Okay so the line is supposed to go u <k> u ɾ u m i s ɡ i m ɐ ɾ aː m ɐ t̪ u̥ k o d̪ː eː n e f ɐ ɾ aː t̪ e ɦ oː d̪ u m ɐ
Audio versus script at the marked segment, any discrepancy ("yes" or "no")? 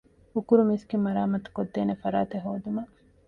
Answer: no